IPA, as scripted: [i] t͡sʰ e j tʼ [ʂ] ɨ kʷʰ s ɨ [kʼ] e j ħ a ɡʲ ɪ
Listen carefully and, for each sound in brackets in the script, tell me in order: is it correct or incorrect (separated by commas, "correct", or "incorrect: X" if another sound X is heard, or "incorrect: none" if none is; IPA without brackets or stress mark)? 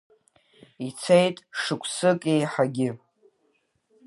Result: correct, correct, correct